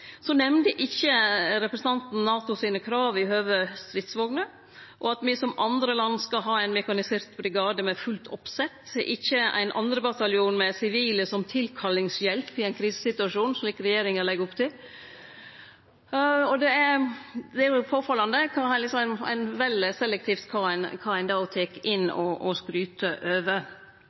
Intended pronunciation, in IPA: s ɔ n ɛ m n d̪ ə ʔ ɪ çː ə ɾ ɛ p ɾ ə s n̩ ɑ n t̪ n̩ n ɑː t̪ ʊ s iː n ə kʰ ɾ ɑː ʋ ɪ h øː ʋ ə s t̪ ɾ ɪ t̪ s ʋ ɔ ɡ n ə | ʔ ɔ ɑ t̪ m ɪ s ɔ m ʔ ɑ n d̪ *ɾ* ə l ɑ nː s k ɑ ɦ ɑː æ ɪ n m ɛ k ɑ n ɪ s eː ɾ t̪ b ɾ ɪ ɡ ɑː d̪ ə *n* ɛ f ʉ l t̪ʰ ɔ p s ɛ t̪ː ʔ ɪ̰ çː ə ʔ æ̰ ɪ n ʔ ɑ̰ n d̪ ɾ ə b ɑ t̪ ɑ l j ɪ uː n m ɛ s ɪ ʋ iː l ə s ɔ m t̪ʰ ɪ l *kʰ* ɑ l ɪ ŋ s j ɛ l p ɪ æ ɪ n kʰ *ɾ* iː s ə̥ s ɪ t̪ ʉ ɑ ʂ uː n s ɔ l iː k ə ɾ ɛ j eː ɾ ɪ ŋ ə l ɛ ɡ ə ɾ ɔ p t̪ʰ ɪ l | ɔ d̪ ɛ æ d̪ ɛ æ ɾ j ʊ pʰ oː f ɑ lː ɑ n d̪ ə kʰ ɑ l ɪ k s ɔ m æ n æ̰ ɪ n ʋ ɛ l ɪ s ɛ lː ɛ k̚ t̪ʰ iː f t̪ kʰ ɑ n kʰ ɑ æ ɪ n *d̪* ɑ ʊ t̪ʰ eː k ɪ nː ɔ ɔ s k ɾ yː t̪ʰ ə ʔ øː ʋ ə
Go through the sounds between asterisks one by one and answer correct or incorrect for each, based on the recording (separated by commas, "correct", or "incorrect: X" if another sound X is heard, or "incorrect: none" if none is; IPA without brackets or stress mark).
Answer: correct, incorrect: m, correct, correct, correct